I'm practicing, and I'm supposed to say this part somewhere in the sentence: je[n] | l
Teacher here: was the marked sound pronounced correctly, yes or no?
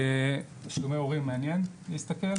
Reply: yes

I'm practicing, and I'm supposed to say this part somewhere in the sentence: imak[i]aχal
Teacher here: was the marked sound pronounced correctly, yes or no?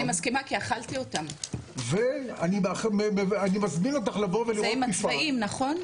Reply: yes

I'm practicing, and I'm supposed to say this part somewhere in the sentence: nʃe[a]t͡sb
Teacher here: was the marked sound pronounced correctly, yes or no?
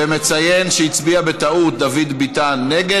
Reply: no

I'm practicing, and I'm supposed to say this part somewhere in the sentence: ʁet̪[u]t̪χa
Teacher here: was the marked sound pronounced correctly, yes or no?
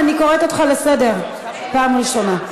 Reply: no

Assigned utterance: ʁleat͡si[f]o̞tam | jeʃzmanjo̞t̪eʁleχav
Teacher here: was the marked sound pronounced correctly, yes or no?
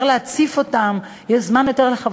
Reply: yes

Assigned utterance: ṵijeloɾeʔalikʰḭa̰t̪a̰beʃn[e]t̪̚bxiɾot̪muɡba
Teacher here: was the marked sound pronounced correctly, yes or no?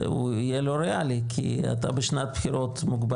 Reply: no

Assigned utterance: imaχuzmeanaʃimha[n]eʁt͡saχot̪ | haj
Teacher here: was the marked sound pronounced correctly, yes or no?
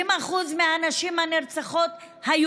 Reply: yes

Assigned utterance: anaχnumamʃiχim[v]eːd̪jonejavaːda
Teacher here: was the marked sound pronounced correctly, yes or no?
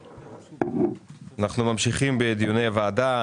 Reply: no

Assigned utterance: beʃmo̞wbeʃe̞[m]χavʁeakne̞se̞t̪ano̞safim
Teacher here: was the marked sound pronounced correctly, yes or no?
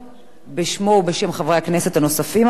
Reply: yes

